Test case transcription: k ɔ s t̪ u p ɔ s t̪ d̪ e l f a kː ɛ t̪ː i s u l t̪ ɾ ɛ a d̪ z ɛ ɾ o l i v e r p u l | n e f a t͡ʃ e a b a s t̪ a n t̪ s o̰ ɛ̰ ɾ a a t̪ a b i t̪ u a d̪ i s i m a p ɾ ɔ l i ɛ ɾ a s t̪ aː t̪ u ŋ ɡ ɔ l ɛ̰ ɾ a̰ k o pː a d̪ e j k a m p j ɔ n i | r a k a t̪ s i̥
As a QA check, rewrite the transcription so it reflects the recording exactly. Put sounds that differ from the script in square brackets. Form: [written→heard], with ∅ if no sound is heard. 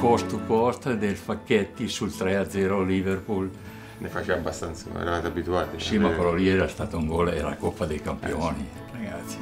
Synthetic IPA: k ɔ s t̪ u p ɔ s t̪ d̪ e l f a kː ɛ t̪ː i s u l t̪ ɾ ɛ a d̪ z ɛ ɾ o l i v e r p u l | n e f a t͡ʃ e a b a s t̪ a n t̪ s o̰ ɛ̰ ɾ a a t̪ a b i t̪ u a [d̪→t̪] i s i m a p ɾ ɔ l i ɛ ɾ a s t̪ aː t̪ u ŋ ɡ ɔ l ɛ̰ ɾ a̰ k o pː a d̪ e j k a m p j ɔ n i | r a [k→ɡ] a t̪ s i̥